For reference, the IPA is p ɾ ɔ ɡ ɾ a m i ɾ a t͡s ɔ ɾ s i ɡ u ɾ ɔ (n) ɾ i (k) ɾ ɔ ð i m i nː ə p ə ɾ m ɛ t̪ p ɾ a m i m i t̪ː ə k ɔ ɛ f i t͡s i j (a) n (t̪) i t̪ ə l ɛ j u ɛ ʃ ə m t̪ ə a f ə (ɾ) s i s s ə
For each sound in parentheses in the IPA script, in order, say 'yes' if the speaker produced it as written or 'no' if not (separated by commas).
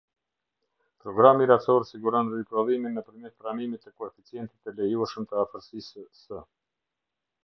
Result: yes, no, no, yes, yes